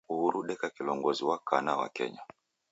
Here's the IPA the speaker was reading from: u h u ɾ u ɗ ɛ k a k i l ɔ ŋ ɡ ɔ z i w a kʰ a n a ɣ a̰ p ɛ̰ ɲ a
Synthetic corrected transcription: u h u ɾ u ɗ ɛ k a k i l ɔ ŋ ɡ ɔ z i w a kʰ a n a w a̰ k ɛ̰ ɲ a

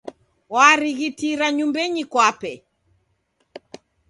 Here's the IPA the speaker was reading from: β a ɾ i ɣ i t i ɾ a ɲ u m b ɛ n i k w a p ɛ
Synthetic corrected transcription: w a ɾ i ɣ i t i ɾ a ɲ u m b ɛ ɲ i k w a p ɛ

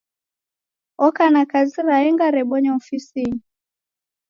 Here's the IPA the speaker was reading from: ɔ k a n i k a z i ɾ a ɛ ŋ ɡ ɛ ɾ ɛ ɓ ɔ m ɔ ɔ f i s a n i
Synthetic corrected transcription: ɔ k a n a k a z i ɾ a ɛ ŋ ɡ a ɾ ɛ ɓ ɔ ɲ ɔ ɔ f i s i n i

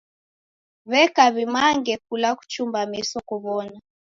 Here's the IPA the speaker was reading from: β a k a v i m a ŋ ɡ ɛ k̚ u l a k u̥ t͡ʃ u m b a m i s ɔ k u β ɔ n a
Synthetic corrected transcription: β ɛ k a β i m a ŋ ɡ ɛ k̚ u l a k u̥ t͡ʃ u m b a m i s ɔ k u β ɔ n a

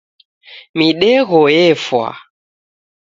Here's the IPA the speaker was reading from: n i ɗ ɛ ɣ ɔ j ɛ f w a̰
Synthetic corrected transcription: m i ɗ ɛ ɣ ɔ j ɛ f w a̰

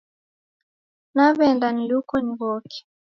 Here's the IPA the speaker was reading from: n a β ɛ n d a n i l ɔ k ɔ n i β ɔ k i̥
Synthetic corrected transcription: n a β ɛ n d a n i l u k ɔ n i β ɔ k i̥

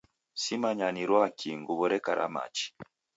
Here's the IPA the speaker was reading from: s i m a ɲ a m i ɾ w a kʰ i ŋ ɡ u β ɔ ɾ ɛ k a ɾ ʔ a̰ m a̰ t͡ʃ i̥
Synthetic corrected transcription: s i m a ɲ a n i ɾ w a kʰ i ŋ ɡ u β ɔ ɾ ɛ k a ɾ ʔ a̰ m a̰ t͡ʃ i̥

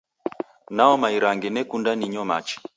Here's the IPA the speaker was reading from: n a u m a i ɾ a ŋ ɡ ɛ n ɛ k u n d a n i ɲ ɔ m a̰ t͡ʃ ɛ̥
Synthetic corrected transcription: n a ɔ m a i ɾ a ŋ ɡ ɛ n ɛ k u n d a n i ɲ ɔ m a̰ t͡ʃ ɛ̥

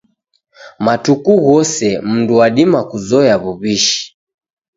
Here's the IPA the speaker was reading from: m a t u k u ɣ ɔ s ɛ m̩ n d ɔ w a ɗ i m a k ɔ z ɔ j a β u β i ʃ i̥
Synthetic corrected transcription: m a t u k u ɣ ɔ s ɛ m̩ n d u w a ɗ i m a k u z ɔ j a β u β i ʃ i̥

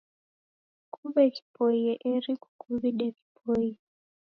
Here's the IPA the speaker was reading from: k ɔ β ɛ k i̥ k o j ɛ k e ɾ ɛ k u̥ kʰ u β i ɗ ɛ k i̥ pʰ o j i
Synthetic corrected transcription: k u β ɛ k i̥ p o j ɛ ʔ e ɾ i k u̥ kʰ u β i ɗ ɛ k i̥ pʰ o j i

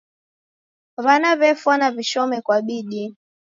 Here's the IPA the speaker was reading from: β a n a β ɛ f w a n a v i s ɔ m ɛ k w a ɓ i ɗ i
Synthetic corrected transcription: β a n a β ɛ f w a n a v i ʃ ɔ m ɛ k w a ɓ i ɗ i

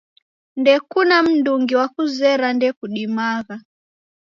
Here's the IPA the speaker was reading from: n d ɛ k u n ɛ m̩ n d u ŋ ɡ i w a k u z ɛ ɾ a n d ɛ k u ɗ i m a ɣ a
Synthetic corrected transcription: n d ɛ k u n a m̩ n d u ŋ ɡ i w a k u z ɛ ɾ a n d ɛ k u ɗ i m a ɣ a

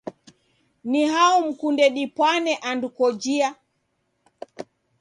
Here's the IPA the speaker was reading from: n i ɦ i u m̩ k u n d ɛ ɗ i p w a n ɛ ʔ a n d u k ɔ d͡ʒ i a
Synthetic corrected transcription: n i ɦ a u m̩ k u n d ɛ ɗ i p w a n ɛ ʔ a n d u k ɔ d͡ʒ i a

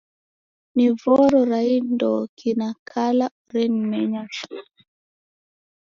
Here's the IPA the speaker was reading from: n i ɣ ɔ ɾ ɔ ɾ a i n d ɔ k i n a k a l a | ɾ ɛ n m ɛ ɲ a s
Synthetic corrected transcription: n i v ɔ ɾ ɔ ɾ a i n d ɔ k i n a k a l a | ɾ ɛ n m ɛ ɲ a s

